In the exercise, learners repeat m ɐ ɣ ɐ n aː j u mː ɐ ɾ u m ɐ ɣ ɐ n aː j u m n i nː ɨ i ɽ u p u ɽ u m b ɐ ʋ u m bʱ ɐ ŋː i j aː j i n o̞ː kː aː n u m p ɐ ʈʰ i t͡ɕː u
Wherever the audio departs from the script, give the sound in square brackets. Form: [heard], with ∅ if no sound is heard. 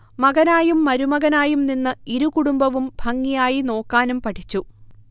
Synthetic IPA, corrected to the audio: m ɐ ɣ ɐ n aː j u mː ɐ ɾ u m ɐ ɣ ɐ n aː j u m n i nː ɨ i [ɾ] u [k] u ɽ u m b ɐ ʋ u m bʱ ɐ ŋː i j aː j i n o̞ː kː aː n u m p ɐ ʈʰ i t͡ɕː u